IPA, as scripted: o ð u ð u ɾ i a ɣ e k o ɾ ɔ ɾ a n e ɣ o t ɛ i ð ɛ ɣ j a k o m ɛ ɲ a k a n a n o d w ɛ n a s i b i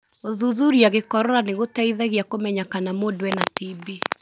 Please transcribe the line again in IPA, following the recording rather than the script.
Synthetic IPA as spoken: o ð u ð u ɾ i a ɣ e k ɔ ɾ ɔ ɾ a n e ɣ o t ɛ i ð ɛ ɣ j a k o m ɛ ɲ a k a n a m o d w ɛ n a t i b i